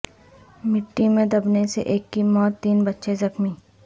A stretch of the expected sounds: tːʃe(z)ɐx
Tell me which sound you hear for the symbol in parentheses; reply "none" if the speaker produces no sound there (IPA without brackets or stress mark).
z